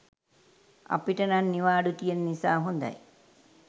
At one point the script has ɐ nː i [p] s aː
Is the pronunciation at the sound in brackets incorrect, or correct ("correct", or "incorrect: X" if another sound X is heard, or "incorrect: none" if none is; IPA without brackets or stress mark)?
incorrect: none